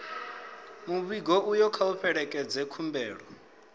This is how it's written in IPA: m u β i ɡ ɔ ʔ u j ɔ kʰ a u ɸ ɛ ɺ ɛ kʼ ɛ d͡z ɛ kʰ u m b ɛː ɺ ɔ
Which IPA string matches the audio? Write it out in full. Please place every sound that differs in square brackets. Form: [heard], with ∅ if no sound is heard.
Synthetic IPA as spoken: m u β i ɡ ɔ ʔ u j ɔ kʰ a u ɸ ɛ ɺ ɛ kʼ ɛ d͡z ɛ kʰ u m b ɛː ɺ ɔ